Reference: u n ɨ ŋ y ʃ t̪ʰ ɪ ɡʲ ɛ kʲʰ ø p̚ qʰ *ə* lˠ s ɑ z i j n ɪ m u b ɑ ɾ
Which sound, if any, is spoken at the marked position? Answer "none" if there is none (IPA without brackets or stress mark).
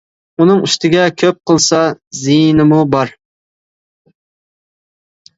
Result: ə